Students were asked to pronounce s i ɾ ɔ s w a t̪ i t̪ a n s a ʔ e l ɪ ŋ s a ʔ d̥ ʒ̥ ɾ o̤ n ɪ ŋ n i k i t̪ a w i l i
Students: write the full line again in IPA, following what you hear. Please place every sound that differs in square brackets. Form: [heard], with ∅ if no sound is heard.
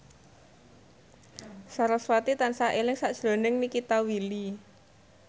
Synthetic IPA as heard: s [a] ɾ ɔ s w a t̪ i t̪ a n s a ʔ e l ɪ ŋ s a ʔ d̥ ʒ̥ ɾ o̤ n ɪ ŋ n i k i t̪ a w i l i